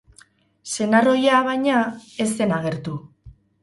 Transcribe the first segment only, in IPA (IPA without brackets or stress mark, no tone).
s